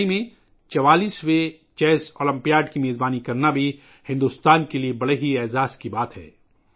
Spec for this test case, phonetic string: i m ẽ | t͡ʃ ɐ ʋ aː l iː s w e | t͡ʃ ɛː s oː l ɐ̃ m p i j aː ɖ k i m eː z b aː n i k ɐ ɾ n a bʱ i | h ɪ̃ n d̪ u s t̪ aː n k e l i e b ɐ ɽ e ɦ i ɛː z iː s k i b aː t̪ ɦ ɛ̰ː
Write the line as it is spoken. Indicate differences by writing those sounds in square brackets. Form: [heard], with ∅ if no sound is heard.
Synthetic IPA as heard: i m ẽ | t͡ʃ ɐ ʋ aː l iː s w e | t͡ʃ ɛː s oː l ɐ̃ m p i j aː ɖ k i m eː z b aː n i k ɐ ɾ n a bʱ i | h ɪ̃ n d̪ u s t̪ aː n k e l i e b ɐ ɽ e ɦ i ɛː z [aː] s k i b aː t̪ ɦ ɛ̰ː